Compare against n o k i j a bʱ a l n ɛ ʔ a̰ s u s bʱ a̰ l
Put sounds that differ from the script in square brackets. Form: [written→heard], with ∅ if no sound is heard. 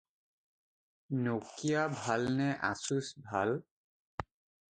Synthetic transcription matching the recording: n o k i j a bʱ a l n ɛ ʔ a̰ s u s bʱ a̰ l